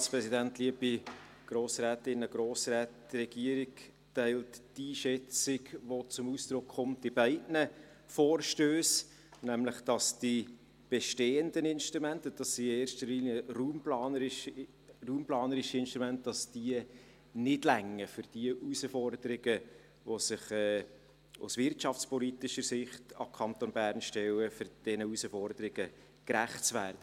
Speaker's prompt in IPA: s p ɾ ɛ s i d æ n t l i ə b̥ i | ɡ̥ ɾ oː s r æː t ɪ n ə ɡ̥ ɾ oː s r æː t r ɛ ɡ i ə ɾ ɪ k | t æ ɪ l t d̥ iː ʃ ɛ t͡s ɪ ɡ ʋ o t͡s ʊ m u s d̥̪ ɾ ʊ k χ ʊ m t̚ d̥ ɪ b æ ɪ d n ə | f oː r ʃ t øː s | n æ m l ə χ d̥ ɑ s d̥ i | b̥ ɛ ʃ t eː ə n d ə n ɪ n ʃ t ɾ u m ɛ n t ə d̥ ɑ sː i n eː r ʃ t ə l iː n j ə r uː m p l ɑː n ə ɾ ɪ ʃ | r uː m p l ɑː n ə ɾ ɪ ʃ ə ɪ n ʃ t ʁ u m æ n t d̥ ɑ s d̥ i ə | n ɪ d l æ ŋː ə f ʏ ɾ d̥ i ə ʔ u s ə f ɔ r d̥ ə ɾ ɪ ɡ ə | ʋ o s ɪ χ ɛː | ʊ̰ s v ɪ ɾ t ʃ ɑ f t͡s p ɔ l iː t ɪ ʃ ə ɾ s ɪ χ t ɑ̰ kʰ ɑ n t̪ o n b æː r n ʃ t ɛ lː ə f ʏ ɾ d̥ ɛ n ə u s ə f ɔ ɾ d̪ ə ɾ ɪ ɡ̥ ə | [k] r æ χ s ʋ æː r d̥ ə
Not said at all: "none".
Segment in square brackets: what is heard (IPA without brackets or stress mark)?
k